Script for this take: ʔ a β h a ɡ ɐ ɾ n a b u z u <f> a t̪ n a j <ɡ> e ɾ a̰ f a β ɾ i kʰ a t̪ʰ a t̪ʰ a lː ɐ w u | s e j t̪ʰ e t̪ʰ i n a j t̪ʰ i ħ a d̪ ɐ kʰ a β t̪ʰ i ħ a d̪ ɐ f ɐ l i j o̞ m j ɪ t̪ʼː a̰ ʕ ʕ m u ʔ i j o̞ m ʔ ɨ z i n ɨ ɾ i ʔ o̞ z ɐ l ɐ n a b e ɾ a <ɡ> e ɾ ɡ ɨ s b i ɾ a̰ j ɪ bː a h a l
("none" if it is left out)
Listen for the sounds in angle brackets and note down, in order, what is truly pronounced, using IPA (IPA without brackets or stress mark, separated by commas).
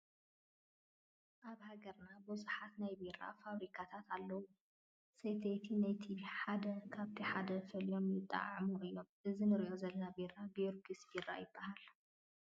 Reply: ħ, b, b